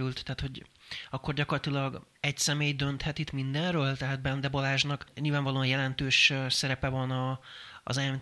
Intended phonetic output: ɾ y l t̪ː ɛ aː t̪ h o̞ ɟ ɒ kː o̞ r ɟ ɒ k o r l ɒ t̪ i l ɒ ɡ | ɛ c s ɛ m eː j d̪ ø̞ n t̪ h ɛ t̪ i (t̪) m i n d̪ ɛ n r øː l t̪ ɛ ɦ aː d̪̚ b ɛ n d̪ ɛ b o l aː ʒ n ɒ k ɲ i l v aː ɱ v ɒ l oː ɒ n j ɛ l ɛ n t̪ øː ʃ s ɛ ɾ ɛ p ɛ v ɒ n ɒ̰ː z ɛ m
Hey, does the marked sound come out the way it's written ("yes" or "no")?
yes